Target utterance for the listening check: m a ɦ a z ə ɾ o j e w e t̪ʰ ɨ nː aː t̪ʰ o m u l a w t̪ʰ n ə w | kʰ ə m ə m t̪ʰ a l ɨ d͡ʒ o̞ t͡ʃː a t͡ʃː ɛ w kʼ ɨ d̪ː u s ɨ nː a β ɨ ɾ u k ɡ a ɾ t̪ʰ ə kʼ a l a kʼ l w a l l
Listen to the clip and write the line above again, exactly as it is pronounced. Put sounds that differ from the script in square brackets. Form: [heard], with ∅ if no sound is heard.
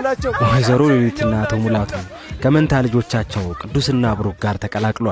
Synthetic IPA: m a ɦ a z ə ɾ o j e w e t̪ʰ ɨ nː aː t̪ʰ o m u l a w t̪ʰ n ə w | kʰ ə m ə [n] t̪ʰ a l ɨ d͡ʒ o̞ t͡ʃː a t͡ʃː ɛ w kʼ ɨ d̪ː u s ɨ nː a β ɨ ɾ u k ɡ a ɾ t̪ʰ ə kʼ [ə] l a kʼ l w a l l